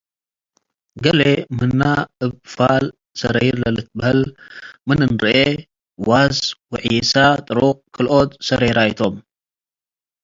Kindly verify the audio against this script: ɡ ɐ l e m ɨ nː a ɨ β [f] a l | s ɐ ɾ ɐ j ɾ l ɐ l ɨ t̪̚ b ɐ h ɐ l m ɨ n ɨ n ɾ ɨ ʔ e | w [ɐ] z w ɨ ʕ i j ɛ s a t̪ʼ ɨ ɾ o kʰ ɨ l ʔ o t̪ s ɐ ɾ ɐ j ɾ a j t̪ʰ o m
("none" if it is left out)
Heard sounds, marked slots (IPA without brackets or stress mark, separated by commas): f, a